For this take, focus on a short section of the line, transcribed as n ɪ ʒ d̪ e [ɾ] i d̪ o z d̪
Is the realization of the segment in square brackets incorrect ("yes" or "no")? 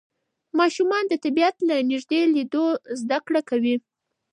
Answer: yes